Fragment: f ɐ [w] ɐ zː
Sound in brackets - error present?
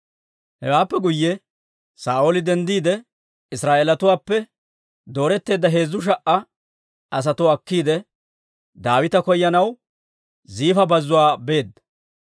yes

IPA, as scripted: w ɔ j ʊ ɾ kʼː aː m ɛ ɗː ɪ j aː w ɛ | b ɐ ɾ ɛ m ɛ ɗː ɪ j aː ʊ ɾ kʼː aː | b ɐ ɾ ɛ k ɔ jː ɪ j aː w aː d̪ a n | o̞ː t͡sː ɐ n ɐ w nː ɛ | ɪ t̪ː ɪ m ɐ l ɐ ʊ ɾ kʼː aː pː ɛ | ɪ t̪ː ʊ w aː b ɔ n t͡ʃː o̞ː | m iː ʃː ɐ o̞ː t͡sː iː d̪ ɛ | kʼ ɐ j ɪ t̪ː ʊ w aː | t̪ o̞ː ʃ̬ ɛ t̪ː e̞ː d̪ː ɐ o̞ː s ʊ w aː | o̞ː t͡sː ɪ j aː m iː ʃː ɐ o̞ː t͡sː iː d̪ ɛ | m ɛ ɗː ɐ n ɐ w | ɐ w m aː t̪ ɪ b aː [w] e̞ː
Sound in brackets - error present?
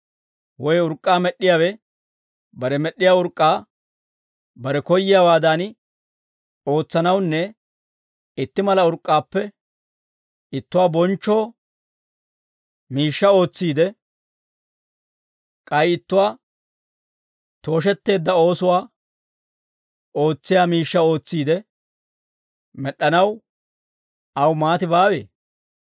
no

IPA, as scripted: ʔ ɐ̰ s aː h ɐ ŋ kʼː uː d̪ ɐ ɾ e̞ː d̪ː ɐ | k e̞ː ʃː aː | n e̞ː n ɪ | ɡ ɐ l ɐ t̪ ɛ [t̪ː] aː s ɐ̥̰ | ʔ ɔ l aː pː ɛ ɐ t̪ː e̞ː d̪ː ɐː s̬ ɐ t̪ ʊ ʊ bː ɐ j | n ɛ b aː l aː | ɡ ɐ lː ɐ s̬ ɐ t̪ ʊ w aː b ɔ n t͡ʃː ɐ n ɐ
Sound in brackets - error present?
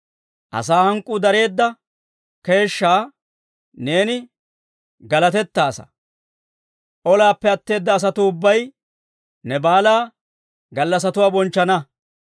no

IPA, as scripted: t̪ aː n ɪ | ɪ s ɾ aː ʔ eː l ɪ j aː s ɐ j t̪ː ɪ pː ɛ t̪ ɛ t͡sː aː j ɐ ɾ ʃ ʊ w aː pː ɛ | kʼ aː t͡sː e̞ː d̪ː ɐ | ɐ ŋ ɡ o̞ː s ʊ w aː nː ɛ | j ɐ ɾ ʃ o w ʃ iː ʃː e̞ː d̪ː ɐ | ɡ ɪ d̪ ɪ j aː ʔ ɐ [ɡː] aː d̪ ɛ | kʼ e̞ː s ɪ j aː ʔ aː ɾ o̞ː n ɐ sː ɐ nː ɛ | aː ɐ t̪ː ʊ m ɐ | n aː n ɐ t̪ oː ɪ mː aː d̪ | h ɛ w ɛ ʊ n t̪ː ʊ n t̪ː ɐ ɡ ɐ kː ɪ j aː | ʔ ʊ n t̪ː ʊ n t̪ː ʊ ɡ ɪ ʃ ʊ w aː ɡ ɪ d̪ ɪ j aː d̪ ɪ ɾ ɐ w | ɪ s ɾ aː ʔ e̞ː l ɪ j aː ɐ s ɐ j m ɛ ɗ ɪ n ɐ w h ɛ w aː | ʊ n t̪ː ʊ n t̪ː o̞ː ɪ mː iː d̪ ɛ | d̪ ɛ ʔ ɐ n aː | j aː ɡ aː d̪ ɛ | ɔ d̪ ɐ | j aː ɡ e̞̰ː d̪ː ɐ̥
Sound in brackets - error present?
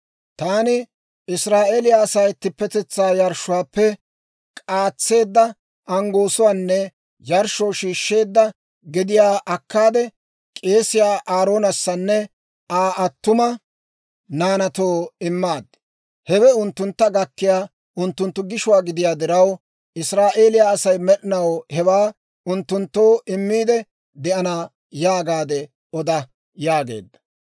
yes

